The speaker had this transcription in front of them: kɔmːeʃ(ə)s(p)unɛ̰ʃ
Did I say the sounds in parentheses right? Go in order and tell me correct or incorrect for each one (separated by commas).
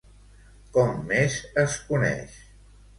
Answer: correct, incorrect